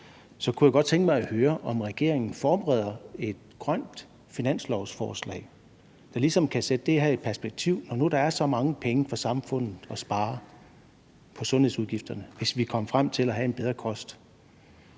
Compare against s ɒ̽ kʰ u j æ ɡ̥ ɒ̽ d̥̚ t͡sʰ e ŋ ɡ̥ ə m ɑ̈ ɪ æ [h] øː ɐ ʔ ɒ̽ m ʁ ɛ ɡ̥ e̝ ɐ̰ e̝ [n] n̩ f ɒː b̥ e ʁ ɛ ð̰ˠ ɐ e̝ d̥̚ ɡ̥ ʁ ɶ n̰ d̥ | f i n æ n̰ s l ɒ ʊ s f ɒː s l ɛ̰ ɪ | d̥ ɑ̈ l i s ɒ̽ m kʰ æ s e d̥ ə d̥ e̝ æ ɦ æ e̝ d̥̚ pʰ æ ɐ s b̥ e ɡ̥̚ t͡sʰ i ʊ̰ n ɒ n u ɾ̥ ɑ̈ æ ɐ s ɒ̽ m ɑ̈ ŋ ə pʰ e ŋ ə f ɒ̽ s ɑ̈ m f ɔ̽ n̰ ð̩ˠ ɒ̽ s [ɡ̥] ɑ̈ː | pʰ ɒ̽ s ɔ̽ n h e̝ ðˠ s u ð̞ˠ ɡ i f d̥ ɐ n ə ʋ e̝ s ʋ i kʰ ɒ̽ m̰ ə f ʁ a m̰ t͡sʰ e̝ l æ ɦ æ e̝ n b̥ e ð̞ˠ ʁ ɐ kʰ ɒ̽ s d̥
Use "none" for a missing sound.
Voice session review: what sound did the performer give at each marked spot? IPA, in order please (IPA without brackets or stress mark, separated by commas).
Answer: h, ŋ, b̥